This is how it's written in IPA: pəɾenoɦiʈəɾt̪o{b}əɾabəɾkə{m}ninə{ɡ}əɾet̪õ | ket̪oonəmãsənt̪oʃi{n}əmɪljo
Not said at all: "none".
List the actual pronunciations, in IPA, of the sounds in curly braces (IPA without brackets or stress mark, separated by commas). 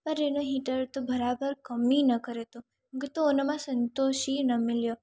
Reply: b, m, k, n